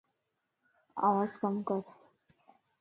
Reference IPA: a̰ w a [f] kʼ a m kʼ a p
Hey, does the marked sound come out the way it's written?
no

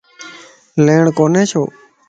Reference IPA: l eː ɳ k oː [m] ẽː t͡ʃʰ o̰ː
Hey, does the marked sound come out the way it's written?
no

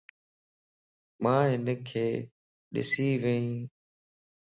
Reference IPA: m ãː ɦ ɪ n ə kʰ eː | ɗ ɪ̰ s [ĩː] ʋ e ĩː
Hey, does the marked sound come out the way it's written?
no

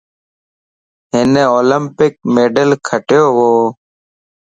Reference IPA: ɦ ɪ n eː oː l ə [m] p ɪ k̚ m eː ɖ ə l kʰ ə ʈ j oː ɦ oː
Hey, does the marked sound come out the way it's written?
yes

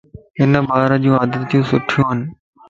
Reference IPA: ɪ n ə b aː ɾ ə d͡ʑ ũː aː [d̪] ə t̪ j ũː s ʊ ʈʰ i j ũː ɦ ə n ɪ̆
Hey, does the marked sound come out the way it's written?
yes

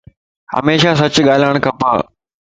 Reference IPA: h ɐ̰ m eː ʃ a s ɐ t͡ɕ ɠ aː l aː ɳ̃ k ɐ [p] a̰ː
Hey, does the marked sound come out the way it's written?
yes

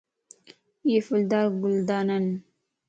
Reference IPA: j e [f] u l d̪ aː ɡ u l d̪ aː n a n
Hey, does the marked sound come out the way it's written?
yes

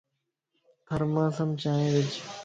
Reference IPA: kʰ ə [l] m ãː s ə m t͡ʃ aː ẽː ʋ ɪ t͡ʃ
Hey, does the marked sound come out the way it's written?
no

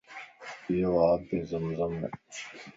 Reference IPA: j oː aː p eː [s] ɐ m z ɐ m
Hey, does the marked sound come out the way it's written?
no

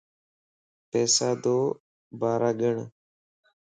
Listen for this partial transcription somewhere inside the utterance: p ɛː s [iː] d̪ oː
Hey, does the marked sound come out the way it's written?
no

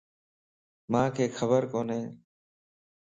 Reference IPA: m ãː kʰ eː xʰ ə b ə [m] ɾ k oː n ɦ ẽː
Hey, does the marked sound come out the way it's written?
no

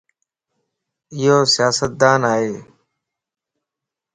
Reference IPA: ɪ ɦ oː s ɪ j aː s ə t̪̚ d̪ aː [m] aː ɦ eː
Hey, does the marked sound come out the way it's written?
no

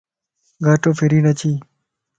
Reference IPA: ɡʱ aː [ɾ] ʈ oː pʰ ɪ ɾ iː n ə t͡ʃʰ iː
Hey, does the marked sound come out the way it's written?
no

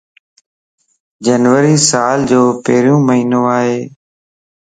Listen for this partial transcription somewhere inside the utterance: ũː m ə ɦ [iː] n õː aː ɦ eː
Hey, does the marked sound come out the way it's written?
yes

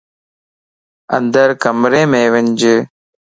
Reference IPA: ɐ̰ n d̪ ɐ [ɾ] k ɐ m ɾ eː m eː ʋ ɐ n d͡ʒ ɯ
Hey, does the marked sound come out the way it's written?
yes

